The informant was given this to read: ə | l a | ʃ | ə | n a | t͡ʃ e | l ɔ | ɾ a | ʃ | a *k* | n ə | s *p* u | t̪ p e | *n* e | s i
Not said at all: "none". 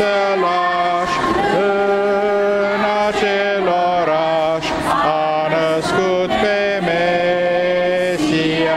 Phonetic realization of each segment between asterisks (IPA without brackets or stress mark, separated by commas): none, k, m